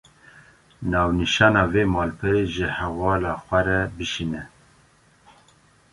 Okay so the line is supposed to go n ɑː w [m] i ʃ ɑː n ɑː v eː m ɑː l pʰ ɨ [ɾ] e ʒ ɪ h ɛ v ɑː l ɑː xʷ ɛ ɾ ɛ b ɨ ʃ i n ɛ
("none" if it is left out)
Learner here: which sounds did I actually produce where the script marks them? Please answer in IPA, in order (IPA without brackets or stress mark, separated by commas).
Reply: n, ɾ